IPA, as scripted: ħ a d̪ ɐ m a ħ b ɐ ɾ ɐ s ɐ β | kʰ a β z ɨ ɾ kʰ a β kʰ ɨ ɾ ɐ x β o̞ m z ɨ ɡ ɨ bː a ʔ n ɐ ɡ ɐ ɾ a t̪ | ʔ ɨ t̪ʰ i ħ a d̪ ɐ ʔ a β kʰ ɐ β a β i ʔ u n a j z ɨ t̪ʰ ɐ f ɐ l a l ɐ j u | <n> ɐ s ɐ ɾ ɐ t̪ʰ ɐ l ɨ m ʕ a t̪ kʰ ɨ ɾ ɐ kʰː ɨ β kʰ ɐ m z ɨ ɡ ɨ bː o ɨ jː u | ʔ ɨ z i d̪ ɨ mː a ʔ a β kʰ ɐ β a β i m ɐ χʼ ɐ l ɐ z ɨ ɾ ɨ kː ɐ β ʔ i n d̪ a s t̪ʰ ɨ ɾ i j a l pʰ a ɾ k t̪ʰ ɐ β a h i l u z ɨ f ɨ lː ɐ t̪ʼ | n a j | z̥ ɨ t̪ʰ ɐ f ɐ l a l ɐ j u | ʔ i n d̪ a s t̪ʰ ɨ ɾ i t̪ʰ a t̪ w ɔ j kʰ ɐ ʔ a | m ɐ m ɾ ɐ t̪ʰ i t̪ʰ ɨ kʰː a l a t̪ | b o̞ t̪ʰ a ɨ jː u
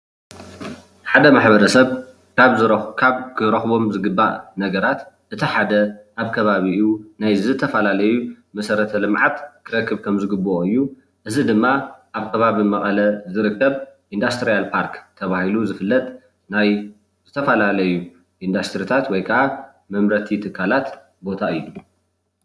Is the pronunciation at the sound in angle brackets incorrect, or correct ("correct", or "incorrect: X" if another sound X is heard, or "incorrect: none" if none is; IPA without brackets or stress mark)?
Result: incorrect: m